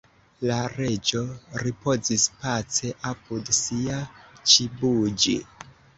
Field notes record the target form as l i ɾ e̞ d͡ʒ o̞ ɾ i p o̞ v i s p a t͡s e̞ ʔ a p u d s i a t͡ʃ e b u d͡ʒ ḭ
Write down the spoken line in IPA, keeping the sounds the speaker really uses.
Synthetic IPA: l a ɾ e̞ d͡ʒ o̞ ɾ i p o̞ z i s p a t͡s e̞ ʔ a p u d s i a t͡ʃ i b u d͡ʒ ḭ